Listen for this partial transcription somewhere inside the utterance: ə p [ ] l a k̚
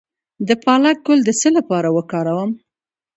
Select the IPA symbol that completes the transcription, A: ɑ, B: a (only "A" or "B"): A